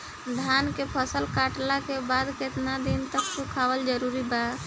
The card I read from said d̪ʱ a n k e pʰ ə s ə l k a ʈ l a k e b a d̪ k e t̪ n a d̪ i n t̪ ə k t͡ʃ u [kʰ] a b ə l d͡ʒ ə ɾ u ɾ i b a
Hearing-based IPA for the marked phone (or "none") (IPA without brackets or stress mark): kʰ